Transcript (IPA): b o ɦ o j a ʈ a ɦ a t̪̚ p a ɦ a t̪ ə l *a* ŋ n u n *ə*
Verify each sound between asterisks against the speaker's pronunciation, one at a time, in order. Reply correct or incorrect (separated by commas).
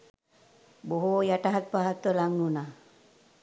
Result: correct, incorrect